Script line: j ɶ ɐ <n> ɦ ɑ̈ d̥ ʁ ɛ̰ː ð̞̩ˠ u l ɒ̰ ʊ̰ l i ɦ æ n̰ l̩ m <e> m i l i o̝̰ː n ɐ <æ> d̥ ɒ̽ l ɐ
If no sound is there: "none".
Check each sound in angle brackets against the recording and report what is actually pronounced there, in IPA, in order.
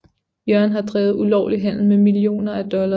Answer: n, e, æ

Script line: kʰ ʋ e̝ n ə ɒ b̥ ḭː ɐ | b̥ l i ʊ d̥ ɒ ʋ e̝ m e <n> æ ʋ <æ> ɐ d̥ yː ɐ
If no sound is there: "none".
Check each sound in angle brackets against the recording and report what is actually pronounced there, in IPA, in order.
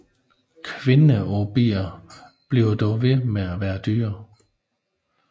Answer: none, æː

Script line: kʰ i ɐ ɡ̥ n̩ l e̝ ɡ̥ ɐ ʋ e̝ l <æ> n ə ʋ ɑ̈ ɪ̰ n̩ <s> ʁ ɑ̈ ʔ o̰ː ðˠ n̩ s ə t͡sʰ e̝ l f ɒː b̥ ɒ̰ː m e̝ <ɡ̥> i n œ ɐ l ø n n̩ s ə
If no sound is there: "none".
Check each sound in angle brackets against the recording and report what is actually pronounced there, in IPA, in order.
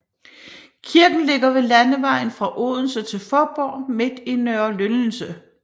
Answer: æ, f, d̥

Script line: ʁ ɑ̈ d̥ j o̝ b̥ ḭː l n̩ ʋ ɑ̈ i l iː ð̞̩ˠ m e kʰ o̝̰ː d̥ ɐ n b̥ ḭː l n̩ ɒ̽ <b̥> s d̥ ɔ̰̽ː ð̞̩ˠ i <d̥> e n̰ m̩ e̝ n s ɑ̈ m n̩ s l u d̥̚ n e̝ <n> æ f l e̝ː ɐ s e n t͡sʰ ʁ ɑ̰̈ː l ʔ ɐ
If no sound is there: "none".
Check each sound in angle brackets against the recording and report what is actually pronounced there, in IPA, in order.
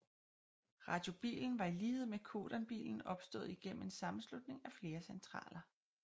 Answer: b̥, ɡ̥, ŋ

